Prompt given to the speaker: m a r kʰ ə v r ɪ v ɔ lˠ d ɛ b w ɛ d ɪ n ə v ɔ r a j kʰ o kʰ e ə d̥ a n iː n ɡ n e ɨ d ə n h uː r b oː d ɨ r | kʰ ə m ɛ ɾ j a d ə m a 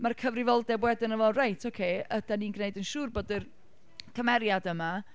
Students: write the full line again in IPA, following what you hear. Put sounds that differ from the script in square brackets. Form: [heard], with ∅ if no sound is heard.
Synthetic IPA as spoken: m a r kʰ ə v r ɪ v ɔ lˠ d ɛ b w ɛ d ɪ n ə v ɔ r a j [tʰ] o kʰ e ə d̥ a n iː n ɡ n e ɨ d ə n [ʃ] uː r b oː d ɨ r | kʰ ə m ɛ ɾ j a d ə m a